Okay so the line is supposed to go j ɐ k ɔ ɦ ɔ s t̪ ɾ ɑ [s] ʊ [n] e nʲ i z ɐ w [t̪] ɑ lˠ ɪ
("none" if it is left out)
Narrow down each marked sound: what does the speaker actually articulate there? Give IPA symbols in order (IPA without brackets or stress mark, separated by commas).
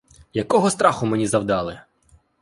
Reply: x, m, d̪